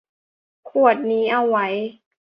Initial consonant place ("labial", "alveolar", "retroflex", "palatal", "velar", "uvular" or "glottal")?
velar